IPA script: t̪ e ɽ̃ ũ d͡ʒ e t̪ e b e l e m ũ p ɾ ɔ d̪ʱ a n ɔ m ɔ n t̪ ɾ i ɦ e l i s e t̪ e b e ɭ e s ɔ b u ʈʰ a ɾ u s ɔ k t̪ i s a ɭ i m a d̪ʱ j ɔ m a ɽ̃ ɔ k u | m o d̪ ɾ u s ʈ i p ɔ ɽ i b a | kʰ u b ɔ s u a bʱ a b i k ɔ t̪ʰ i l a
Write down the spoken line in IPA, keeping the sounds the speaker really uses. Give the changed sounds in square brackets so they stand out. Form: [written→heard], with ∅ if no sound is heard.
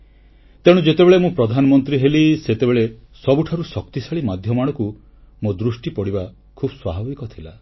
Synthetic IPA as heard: t̪ e ɽ̃ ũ d͡ʒ e t̪ e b e [l→ɭ] e m ũ p ɾ ɔ d̪ʱ a n ɔ m ɔ n t̪ ɾ i ɦ e l i s e t̪ e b e ɭ e s ɔ b u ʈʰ a ɾ u s ɔ k t̪ i s a ɭ i m a d̪ʱ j ɔ m a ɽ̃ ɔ k u | m o d̪ ɾ u s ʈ i p ɔ ɽ i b a | kʰ u b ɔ s [u→w] a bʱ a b i k ɔ t̪ʰ i l a